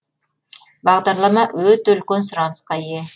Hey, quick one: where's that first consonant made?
lips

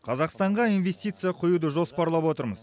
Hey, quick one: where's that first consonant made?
uvula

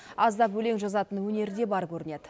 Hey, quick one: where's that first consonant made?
tongue tip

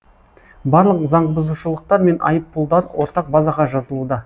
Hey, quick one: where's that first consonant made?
lips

